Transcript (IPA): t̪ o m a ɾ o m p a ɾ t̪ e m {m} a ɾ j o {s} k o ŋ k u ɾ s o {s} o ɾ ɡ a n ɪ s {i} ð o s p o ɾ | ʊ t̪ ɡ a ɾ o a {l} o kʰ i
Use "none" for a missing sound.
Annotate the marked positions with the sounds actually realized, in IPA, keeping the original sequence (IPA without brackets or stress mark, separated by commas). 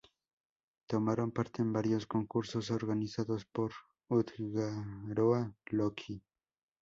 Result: b, s, s, a, l